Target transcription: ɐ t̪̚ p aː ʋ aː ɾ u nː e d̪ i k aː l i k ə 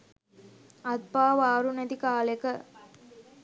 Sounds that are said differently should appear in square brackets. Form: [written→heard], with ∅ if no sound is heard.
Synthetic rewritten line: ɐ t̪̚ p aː ʋ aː ɾ u [nː→n] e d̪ i k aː l [i→e] k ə